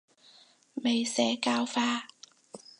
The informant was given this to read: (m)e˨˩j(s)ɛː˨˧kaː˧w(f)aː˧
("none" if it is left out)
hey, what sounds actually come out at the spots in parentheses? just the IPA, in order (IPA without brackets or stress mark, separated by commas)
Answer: m, s, f